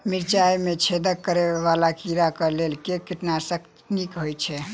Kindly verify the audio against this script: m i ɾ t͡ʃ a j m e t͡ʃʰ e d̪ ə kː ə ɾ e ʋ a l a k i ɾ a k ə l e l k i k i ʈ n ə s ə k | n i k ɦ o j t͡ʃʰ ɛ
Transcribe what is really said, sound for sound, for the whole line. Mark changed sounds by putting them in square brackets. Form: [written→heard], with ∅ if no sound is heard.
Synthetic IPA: m i ɾ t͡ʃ a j m e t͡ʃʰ e d̪ ə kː ə ɾ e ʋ a l a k i ɾ a k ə l e l k [i→e] k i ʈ n [ə→a] s ə k | n i k ɦ o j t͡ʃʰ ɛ

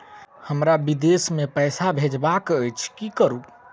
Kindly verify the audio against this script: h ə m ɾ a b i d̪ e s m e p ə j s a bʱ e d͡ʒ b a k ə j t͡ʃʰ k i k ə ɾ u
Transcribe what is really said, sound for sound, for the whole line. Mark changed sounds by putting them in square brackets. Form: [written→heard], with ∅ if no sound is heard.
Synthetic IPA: h ə m ɾ a b i d̪ e s m e p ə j s a bʱ e d͡ʒ b a k ə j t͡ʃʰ k i k ə ɾ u

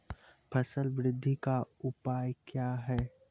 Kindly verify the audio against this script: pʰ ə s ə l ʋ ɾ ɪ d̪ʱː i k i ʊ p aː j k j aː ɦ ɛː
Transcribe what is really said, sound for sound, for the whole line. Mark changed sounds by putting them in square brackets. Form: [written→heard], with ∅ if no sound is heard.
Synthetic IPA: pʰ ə s ə l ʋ ɾ ɪ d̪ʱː i k [i→a] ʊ p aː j k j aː ɦ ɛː

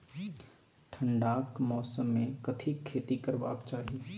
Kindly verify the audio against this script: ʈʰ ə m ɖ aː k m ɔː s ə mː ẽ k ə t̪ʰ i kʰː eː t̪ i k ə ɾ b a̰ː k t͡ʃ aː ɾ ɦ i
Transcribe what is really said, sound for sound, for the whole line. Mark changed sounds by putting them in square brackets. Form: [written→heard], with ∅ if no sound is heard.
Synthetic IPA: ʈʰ ə [m→ɳ] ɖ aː k m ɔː s ə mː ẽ k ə t̪ʰ i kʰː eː t̪ i k ə ɾ b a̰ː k t͡ʃ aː [ɾ→∅] ɦ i

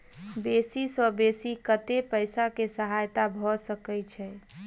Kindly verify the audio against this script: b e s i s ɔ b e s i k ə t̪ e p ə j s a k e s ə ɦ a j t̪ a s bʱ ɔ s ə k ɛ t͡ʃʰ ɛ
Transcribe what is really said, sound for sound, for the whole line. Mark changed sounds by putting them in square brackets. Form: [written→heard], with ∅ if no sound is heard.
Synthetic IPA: b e s i s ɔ b e s i k ə t̪ e p ə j s a k e s ə ɦ a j t̪ a [s→∅] bʱ ɔ s ə k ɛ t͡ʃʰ ɛ

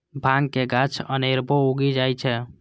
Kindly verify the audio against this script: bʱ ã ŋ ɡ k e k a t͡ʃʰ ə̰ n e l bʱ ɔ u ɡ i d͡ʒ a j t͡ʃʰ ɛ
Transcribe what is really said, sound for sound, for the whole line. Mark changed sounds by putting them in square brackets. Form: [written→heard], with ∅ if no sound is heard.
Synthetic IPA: bʱ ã ŋ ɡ k e [k→ɡ] a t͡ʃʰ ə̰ n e [l→ɾ] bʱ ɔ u ɡ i d͡ʒ a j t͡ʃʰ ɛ

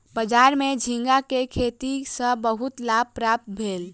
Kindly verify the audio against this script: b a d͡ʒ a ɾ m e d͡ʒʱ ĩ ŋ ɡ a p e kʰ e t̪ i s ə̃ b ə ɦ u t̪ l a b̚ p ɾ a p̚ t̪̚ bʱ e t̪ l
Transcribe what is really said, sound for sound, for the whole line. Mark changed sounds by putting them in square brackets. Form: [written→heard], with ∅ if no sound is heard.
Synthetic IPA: b [a→ə] d͡ʒ a ɾ m e d͡ʒʱ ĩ ŋ ɡ a [p→k] e kʰ e t̪ i s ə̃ b ə ɦ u t̪ l a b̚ p ɾ a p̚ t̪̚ bʱ e [t̪→∅] l

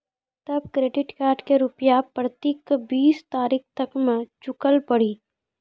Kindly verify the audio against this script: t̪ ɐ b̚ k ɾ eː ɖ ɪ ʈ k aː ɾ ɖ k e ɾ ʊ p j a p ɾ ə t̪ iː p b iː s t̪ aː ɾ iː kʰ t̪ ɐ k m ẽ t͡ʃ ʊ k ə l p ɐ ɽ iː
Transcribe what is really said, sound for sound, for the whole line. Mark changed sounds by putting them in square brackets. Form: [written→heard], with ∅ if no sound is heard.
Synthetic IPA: t̪ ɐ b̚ k ɾ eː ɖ ɪ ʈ k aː ɾ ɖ k e ɾ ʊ p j a p ɾ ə t̪ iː [p→k] b iː s t̪ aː ɾ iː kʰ t̪ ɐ k m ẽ t͡ʃ ʊ k ə l p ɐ ɽ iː

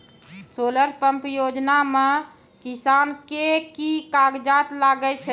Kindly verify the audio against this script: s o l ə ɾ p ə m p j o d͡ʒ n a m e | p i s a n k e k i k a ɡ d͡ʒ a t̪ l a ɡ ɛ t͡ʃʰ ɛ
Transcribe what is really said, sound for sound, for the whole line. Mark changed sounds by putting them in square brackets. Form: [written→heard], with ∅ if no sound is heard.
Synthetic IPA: s o l ə ɾ p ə m p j o d͡ʒ n a m e | [p→k] i s a n k e k i k a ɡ d͡ʒ a t̪ l a ɡ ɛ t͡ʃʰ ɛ

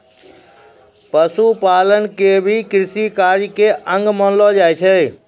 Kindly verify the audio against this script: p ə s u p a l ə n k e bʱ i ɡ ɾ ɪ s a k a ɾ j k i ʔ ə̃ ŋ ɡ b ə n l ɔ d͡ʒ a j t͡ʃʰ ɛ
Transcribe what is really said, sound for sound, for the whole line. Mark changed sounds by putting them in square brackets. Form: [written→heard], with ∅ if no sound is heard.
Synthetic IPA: p ə s u p a l ə n k e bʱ i [ɡ→k] ɾ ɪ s [a→i] k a ɾ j k [i→e] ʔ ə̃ ŋ ɡ [b→m] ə n l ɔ d͡ʒ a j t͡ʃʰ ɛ

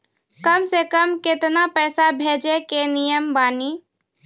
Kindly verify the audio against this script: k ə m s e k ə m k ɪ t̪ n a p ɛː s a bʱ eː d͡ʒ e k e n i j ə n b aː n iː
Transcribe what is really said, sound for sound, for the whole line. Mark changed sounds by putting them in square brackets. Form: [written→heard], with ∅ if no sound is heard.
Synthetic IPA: k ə m s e k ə m k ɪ t̪ n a p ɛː s a bʱ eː d͡ʒ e k e n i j ə [n→m] b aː n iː

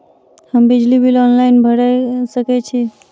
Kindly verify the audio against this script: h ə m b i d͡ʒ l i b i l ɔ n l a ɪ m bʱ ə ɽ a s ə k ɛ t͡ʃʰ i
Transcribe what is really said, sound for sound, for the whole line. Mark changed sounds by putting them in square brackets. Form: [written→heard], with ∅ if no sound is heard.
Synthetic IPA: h ə m b i d͡ʒ l i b i l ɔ n l a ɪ [m→n] bʱ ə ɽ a s ə k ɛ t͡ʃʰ i

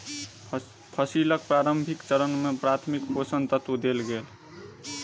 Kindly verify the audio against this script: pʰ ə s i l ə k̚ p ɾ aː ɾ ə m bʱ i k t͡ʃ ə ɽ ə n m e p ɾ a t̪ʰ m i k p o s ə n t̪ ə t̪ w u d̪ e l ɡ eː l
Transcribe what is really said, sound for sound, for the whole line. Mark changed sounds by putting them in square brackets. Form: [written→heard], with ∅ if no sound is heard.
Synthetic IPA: pʰ ə s i l ə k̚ p ɾ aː ɾ ə m bʱ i k t͡ʃ ə [ɽ→ɾ] ə n m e p ɾ a t̪ʰ m i k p o s ə n t̪ ə t̪ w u d̪ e l ɡ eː l

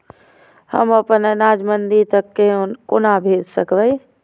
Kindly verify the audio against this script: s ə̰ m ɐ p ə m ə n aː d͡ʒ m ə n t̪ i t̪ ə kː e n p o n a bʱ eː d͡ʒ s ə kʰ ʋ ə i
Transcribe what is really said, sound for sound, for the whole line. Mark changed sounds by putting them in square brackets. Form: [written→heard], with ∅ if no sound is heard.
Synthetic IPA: [s→h] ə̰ m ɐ p ə [m→n] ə n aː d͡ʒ m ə n [t̪→d̪] i t̪ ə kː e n [p→k] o n a bʱ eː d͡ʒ s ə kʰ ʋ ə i

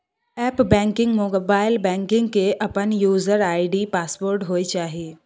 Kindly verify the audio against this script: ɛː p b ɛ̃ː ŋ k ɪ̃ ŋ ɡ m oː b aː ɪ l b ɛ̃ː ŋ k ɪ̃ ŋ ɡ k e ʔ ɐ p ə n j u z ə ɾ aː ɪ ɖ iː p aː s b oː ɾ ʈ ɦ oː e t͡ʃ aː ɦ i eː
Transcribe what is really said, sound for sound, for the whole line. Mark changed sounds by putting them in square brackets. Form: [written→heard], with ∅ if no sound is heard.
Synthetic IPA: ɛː p b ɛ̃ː ŋ k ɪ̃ ŋ ɡ m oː b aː ɪ l b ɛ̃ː ŋ k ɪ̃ ŋ ɡ k e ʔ ɐ p ə n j [u→uː] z ə ɾ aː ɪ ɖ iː p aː s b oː ɾ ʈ ɦ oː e t͡ʃ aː ɦ i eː

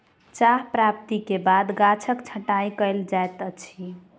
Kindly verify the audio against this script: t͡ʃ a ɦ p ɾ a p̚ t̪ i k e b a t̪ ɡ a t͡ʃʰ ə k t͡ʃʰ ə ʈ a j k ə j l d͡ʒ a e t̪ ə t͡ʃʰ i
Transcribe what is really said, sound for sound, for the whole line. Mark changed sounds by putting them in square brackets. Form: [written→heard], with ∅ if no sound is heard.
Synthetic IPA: t͡ʃ a ɦ p ɾ a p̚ t̪ i k e b a [t̪→d̪] ɡ a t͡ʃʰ ə k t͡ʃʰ ə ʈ a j k ə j l d͡ʒ a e t̪ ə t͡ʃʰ i

